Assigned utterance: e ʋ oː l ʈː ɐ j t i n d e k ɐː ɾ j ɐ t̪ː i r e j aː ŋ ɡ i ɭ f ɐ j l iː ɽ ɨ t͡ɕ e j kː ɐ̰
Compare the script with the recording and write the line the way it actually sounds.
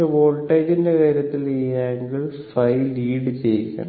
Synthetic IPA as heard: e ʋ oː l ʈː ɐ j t i n d e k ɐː ɾ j ɐ t̪ː i l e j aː ŋ ɡ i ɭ f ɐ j l iː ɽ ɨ t͡ɕ e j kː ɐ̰